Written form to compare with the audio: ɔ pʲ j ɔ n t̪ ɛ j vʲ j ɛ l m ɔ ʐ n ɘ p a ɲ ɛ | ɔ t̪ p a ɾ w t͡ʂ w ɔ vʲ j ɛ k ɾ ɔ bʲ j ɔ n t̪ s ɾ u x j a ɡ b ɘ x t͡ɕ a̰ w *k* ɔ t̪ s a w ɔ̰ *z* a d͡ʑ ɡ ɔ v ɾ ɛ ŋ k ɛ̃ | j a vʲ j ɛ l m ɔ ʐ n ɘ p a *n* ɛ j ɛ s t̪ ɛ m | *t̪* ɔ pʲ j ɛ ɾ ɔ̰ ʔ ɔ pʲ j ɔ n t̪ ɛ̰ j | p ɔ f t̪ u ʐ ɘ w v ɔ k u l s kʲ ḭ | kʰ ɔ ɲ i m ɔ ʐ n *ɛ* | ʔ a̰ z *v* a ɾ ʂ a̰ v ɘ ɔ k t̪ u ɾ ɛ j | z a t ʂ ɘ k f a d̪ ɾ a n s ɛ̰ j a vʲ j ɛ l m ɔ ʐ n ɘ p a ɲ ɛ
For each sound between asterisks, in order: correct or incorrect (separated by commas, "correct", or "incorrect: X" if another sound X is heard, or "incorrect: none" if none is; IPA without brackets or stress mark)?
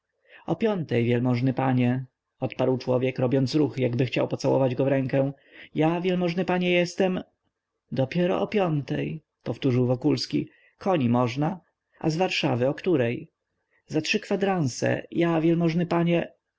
incorrect: p, incorrect: v, incorrect: ɲ, incorrect: d̪, incorrect: a, correct